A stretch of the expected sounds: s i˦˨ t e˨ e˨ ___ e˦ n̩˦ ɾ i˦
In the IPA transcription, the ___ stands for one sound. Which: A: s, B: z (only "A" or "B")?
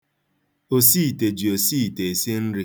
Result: A